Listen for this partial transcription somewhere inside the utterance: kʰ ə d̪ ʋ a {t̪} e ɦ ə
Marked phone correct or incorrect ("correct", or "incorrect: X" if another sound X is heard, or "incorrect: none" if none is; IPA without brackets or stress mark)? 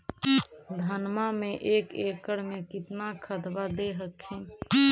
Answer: incorrect: d̪